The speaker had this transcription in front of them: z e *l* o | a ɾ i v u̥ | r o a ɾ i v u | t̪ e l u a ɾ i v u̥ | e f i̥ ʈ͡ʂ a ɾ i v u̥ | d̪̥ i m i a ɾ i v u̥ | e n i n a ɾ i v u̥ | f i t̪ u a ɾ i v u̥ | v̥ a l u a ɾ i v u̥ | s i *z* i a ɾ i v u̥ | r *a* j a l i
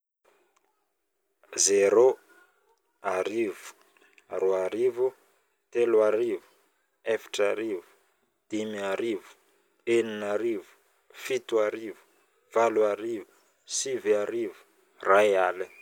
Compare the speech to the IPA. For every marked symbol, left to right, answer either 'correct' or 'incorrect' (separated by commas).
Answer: incorrect, incorrect, correct